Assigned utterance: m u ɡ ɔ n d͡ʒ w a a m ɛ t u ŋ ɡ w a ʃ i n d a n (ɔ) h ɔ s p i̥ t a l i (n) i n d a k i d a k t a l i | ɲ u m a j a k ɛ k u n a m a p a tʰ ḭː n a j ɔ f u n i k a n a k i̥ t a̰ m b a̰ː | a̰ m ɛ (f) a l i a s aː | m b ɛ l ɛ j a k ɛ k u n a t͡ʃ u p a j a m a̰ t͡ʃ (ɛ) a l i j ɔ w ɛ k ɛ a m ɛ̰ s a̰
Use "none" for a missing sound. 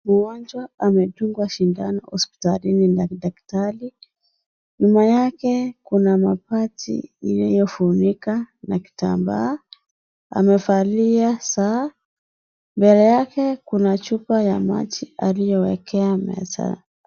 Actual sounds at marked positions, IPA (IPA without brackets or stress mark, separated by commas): ɔ, n, f, i